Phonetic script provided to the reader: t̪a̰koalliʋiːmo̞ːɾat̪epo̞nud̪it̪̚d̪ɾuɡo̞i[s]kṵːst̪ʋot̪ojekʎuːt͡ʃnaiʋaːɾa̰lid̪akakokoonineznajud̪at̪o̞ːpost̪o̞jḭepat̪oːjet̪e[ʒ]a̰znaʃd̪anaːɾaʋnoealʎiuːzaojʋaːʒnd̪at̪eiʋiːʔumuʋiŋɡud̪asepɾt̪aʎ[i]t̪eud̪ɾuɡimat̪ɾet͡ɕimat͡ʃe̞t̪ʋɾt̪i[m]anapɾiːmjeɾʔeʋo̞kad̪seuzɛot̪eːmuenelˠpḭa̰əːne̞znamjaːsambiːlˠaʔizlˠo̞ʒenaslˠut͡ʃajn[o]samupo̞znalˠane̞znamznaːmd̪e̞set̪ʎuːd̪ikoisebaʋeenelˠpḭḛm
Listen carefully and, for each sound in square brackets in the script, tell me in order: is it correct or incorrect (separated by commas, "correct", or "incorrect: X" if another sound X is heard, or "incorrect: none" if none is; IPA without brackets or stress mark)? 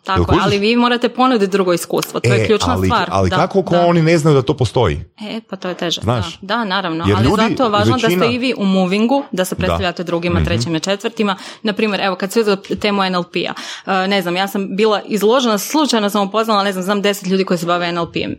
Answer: correct, correct, incorrect: a, correct, correct